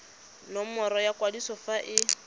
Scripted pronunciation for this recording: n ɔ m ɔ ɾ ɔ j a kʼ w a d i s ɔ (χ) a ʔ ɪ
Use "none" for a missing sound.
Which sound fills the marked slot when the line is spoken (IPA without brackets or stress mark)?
f